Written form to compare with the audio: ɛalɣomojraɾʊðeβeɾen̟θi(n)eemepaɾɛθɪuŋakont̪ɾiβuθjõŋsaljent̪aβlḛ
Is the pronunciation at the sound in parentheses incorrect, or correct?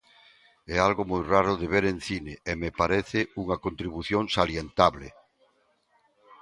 correct